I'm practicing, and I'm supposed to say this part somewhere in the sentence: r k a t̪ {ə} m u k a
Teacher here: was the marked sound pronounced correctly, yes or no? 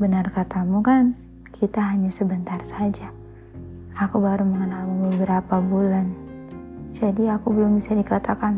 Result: no